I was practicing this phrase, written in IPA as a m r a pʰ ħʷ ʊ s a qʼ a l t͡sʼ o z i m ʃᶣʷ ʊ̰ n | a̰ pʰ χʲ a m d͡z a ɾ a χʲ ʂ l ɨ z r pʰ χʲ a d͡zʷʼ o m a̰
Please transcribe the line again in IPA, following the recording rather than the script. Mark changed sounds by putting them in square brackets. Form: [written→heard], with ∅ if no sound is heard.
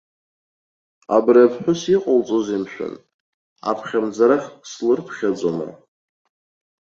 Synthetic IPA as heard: a [m→b] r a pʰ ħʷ ʊ s [a→i] qʼ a l t͡sʼ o z i m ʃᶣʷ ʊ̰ n | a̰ pʰ χʲ a m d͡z a ɾ a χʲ [ʂ→s] l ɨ [z→∅] r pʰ χʲ a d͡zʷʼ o m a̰